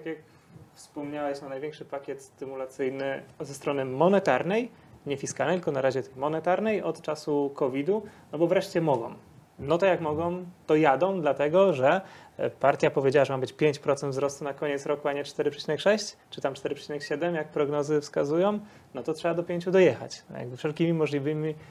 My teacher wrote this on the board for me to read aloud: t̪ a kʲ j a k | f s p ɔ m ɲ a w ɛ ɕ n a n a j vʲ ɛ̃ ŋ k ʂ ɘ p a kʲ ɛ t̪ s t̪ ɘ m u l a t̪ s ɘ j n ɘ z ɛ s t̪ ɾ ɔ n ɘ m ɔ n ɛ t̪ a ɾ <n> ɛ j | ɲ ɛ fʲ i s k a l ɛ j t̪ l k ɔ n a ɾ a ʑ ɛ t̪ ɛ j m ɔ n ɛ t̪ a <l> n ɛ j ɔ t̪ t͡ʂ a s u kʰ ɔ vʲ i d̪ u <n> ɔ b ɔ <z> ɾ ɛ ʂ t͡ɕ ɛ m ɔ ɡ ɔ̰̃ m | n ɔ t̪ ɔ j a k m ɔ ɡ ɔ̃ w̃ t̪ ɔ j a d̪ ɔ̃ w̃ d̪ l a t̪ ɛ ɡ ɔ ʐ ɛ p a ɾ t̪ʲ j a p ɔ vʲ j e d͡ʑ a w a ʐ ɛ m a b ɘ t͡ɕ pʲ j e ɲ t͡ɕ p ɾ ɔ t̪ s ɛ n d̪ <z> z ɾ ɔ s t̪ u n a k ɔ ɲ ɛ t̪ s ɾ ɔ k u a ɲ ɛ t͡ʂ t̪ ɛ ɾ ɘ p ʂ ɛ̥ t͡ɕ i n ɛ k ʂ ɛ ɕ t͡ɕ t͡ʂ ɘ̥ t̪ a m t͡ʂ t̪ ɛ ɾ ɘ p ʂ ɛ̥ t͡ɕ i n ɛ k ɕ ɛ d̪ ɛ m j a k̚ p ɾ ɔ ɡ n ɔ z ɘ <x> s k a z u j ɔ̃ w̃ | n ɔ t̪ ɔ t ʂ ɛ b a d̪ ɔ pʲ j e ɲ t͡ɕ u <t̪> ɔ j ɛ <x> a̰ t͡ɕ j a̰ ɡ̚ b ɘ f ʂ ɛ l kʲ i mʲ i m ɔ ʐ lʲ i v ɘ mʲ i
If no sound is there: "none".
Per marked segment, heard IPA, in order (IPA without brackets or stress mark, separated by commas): n, ɾ, n, v, v, f, d̪, x